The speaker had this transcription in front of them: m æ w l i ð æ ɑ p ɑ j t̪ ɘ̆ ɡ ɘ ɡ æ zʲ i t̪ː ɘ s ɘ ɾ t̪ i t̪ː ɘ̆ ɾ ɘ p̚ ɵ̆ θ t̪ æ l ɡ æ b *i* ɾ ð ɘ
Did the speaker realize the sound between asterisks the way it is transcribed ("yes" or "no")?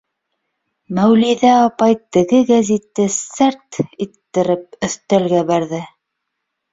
no